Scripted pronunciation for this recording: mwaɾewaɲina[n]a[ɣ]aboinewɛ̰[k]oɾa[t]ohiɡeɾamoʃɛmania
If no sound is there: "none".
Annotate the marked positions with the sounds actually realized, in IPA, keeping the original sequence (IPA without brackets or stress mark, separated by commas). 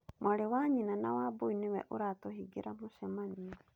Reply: n, w, ʔ, t